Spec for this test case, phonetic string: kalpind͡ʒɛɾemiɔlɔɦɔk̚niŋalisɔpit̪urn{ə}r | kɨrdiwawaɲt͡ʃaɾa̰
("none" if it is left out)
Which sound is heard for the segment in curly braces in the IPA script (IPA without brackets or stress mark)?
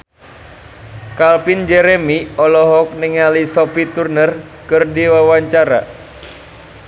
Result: ə